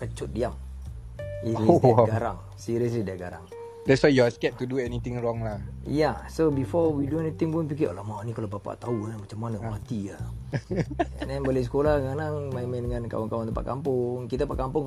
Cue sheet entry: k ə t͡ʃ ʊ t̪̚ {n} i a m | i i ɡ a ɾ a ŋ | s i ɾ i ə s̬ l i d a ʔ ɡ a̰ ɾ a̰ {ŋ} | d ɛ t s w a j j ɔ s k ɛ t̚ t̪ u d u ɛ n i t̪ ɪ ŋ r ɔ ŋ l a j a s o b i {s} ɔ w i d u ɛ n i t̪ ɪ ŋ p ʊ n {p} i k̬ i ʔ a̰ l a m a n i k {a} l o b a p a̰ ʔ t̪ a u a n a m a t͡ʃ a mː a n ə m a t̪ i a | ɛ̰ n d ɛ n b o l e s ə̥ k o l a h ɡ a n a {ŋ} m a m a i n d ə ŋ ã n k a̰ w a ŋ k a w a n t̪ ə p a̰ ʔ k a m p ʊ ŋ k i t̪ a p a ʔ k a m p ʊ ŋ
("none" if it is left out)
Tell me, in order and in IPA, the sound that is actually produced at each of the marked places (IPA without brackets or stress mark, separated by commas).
d, ŋ, f, p, a, ŋ